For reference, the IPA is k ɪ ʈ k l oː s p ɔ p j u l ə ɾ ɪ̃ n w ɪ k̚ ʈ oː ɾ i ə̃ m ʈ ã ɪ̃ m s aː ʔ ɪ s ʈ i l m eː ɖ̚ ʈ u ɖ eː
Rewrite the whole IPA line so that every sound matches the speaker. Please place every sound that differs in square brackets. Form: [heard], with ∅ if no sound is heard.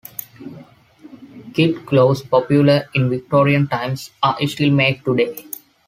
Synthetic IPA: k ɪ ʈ k l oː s p ɔ p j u l ə ɾ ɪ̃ n [ʋ] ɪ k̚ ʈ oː ɾ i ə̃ [n] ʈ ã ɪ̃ m s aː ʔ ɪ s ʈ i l m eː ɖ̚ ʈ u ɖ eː